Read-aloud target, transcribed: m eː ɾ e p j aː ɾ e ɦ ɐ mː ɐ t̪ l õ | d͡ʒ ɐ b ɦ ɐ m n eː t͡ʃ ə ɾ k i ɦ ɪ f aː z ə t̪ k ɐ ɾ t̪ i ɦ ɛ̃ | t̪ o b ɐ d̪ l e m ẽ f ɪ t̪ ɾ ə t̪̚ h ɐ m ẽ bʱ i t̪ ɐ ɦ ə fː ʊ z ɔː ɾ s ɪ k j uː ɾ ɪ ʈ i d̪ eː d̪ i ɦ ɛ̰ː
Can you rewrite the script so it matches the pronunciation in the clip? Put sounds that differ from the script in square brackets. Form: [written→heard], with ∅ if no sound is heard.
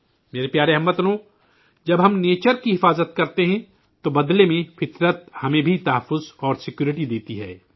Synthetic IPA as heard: m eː ɾ e p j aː ɾ e ɦ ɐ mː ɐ t̪ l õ | d͡ʒ ɐ b ɦ ɐ m n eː t͡ʃ ə ɾ k i ɦ ɪ f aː z ə t̪ k ɐ ɾ t̪ [i→e] ɦ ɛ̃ | t̪ o b ɐ d̪ l e m ẽ f ɪ t̪ ɾ ə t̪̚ h ɐ m ẽ bʱ i t̪ ɐ ɦ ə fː ʊ z ɔː ɾ s ɪ k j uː ɾ ɪ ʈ i d̪ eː [d̪→t̪] i ɦ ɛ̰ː

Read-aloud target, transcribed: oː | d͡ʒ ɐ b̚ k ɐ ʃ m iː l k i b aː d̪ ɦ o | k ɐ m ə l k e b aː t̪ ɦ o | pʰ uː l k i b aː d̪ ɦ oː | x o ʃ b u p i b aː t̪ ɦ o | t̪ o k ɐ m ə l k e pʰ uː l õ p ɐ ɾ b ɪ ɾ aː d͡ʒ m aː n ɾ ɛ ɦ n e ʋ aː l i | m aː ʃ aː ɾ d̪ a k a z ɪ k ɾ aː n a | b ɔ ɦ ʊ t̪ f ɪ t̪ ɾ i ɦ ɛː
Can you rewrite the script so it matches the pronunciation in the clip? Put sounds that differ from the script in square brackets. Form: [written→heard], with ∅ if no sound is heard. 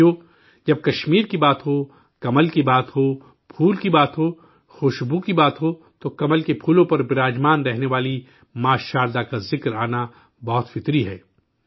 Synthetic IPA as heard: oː | d͡ʒ ɐ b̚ k ɐ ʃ m iː [l→ɾ] k i b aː [d̪→t̪] ɦ o | k ɐ m ə l k [e→i] b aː t̪ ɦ o | pʰ uː l k i b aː [d̪→t̪] ɦ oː | x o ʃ b u [p→k] i b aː t̪ ɦ o | t̪ o k ɐ m ə l k e pʰ uː l õ p ɐ ɾ b ɪ ɾ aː d͡ʒ m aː n ɾ ɛ ɦ n e ʋ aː l i | m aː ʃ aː ɾ d̪ a k a z ɪ k ɾ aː n a | b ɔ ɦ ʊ t̪ f ɪ t̪ ɾ i ɦ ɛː

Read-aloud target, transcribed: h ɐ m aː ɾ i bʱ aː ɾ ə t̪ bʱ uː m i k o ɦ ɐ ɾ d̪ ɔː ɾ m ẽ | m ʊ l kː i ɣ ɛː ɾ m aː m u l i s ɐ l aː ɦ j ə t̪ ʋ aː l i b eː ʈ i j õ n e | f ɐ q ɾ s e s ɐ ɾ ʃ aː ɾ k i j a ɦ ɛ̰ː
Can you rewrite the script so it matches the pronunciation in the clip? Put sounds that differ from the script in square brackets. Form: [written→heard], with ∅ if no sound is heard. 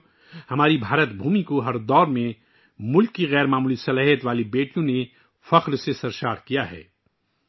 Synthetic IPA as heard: h ɐ m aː ɾ i bʱ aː ɾ ə t̪ bʱ uː m i k o ɦ ɐ ɾ d̪ ɔː ɾ m ẽ | m ʊ l kː i ɣ ɛː ɾ m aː m [u→uː] l i s ɐ l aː ɦ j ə t̪ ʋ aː l i b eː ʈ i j õ n e | f ɐ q ɾ s e s ɐ ɾ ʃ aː ɾ k i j a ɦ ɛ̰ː

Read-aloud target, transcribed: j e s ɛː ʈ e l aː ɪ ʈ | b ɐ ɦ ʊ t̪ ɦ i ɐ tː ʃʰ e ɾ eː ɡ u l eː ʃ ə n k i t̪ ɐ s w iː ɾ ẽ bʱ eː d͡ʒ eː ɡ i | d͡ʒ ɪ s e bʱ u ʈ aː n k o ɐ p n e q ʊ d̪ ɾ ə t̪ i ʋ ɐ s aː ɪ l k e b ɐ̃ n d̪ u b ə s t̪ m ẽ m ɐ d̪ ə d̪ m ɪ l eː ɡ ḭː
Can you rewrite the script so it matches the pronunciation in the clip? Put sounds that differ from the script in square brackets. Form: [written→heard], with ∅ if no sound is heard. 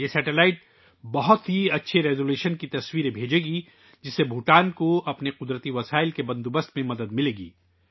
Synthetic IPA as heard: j e s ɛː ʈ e l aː ɪ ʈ | b ɐ ɦ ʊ t̪ ɦ i ɐ tː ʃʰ e ɾ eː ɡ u l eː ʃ ə n k i t̪ ɐ s w iː ɾ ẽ bʱ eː d͡ʒ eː ɡ i | d͡ʒ ɪ s e bʱ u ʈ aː n k o ɐ p n e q ʊ d̪ ɾ ə t̪ i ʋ ɐ s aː ɪ l k e b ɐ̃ n d̪ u b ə s t̪ m ẽ m ɐ d̪ ə d̪ m ɪ l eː ɡ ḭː

